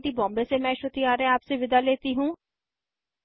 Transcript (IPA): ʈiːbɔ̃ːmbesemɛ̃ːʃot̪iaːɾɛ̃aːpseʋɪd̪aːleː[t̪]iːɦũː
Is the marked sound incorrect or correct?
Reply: correct